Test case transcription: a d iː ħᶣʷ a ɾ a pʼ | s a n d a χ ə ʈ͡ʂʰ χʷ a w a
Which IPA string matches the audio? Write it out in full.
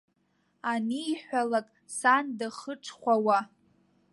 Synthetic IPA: a n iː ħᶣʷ a l a kʼ | s a n d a χ ə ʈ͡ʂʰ χʷ a w a